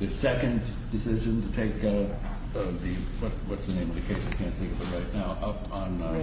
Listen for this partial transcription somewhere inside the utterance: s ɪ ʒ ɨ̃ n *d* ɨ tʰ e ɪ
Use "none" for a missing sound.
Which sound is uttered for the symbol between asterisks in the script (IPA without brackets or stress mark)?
t